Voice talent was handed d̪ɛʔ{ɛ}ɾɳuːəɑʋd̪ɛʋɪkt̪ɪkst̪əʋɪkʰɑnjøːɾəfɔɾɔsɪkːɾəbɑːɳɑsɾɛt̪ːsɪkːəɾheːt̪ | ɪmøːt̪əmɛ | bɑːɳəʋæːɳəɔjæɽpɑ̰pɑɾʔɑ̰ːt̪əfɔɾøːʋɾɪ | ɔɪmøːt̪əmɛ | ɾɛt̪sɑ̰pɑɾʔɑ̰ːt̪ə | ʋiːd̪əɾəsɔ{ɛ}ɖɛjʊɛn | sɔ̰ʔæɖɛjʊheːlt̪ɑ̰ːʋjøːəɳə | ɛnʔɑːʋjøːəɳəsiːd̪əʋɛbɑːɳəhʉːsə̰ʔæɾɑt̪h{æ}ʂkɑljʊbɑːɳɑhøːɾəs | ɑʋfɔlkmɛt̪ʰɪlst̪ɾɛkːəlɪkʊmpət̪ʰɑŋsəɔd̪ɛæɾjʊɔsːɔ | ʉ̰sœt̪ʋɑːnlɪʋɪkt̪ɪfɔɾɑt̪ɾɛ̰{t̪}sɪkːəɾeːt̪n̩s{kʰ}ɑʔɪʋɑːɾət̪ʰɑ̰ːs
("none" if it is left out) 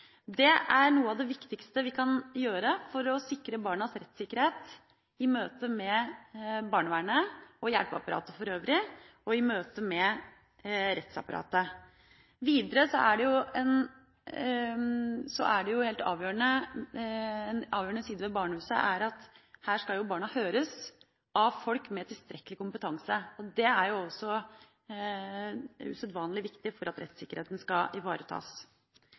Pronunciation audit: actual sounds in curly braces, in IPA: æ, æ, æː, t̪, k

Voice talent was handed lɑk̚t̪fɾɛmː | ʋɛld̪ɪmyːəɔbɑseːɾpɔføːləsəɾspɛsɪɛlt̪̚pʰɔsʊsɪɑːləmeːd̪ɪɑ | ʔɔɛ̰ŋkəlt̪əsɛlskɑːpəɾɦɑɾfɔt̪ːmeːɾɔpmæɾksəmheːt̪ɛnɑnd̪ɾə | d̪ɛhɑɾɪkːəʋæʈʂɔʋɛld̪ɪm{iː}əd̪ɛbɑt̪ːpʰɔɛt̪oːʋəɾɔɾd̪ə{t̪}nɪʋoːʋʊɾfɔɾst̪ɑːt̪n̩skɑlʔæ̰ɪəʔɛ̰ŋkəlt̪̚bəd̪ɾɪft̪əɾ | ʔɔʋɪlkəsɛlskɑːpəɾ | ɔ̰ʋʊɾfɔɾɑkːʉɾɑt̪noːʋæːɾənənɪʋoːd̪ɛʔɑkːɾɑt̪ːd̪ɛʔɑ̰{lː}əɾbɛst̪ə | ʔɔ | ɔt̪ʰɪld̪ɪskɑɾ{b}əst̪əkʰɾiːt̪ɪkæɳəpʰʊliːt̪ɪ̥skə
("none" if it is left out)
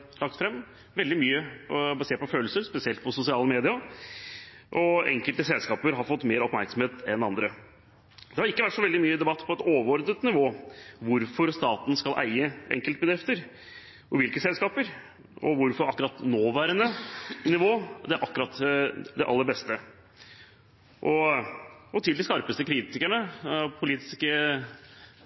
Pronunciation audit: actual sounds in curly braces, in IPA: yː, t̪, lː, p

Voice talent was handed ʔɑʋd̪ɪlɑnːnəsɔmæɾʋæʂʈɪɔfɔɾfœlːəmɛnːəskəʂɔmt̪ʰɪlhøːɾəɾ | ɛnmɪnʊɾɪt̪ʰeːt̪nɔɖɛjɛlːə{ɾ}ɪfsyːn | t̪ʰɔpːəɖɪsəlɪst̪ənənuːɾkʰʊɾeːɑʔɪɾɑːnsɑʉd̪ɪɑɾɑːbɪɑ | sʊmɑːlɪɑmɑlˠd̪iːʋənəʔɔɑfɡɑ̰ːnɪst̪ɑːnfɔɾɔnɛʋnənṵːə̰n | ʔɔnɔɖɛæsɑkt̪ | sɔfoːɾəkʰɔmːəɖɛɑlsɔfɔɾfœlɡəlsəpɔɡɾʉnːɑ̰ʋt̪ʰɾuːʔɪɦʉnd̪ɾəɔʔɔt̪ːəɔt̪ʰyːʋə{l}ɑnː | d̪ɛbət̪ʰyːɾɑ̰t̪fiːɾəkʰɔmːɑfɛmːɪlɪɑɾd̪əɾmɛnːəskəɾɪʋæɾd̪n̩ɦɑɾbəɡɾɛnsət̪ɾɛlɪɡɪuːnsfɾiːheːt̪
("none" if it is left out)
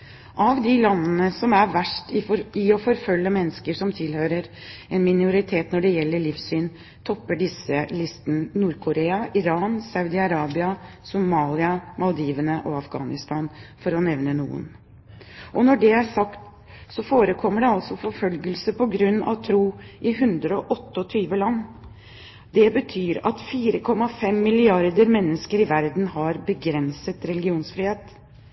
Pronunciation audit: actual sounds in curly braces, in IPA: ɭ, l

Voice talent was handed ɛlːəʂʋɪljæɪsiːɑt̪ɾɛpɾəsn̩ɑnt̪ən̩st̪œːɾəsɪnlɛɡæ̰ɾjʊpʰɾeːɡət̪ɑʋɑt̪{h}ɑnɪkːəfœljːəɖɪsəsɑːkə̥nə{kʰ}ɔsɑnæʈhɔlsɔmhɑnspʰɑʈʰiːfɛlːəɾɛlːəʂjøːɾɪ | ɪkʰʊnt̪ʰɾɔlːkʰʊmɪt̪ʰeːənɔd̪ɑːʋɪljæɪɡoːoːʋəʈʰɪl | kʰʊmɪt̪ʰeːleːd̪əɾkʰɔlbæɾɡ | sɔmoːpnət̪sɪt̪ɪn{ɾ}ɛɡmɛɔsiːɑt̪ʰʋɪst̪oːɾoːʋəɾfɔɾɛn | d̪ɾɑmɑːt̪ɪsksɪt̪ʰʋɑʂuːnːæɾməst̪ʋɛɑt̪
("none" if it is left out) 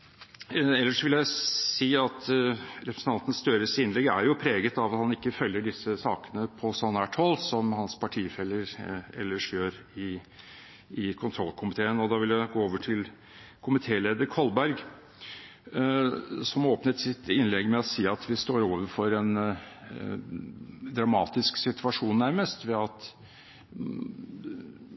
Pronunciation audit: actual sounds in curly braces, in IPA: h, pʰ, l

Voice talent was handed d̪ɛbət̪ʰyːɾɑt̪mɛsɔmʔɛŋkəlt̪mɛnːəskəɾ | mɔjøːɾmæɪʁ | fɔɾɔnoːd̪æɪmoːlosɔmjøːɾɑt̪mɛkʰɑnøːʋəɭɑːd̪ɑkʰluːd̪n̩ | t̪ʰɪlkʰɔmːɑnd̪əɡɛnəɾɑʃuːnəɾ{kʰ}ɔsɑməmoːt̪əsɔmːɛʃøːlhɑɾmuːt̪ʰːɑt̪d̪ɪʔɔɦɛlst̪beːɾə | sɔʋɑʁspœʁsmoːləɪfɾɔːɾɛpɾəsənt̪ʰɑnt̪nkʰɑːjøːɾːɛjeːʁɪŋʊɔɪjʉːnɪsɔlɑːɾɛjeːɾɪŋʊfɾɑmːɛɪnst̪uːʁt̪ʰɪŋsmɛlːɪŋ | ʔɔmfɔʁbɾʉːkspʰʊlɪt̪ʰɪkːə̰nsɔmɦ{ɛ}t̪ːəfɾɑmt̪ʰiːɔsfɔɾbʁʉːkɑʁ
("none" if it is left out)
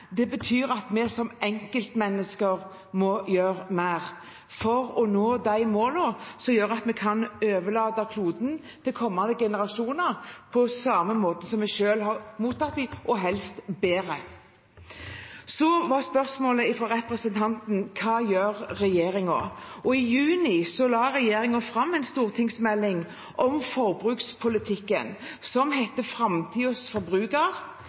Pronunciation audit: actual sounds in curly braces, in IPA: pʰ, ɛ

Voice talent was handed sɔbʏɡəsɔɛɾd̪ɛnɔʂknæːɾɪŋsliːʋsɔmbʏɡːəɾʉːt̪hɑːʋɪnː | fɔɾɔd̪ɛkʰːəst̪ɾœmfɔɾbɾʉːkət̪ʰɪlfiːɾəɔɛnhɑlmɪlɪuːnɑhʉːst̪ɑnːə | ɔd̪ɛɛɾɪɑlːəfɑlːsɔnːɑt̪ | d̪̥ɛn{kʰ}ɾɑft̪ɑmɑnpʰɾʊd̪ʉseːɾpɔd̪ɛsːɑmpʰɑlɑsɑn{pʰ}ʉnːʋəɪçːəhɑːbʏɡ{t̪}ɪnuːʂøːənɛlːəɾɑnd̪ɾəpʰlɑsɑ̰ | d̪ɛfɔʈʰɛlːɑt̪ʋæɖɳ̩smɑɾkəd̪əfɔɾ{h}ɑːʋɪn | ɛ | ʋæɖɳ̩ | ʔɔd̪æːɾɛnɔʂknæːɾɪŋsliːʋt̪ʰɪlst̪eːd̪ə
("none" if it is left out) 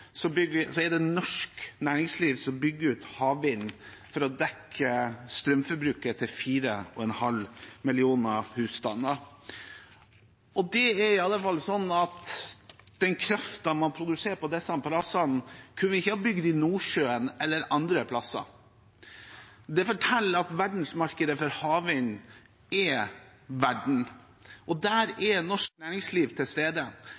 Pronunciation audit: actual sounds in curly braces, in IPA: kʰ, kʰ, d̪, h

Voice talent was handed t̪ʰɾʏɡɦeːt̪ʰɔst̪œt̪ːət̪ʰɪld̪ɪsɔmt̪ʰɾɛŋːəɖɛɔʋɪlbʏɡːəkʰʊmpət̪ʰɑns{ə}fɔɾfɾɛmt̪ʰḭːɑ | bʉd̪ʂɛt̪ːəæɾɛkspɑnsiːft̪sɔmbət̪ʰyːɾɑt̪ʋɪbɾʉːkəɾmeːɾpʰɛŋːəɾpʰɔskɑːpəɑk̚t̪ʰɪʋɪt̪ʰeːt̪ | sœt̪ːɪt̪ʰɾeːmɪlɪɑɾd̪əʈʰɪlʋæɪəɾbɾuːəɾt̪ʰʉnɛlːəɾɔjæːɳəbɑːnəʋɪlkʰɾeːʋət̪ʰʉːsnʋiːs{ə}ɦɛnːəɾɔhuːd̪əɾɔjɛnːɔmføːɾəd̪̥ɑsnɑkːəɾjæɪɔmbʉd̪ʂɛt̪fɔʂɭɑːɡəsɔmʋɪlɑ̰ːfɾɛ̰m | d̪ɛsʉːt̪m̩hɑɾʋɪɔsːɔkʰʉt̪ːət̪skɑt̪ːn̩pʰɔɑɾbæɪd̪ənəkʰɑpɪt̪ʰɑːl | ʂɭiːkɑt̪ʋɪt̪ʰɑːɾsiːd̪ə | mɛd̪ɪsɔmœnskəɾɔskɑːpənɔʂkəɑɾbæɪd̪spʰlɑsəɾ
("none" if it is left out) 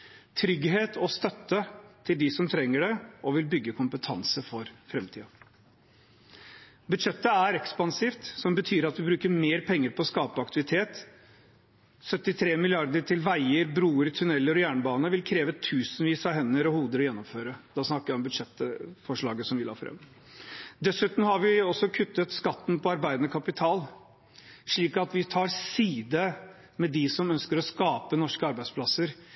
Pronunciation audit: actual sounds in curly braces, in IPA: ə, ɑ

